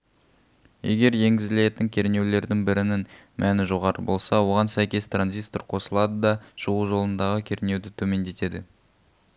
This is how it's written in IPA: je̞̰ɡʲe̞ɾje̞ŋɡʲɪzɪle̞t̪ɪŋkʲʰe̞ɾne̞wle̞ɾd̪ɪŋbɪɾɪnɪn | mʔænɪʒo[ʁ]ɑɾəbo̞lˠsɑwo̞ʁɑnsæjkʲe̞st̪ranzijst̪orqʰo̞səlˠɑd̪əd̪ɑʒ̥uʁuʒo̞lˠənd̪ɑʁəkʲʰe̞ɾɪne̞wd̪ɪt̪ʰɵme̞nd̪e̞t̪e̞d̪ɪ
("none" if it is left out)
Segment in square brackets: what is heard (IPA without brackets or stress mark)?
ʁ